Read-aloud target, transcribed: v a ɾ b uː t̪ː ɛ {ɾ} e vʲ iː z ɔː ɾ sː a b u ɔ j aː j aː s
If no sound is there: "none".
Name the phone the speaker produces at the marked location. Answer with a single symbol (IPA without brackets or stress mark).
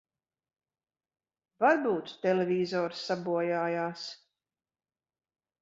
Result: l